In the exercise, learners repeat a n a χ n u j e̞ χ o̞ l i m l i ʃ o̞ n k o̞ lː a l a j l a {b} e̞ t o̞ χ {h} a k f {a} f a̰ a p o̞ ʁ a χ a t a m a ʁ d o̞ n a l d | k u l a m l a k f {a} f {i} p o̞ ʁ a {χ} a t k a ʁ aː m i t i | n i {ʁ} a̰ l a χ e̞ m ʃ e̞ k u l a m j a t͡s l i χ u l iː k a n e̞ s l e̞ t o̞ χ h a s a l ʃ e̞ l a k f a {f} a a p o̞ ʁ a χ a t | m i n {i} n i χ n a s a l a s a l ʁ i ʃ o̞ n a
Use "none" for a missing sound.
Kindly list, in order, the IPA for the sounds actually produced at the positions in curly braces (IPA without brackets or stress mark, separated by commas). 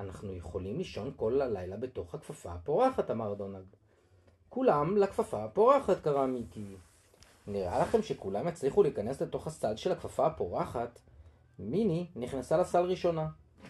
b, h, a, a, a, χ, ʁ, f, i